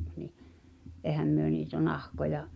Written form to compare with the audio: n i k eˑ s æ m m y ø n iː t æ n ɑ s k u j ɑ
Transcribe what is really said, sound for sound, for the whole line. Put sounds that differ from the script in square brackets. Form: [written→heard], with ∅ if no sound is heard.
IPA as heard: n i [k→ʔ] eˑ [s→h] æ m m y ø n iː t æ n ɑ [s→h] k [u→o] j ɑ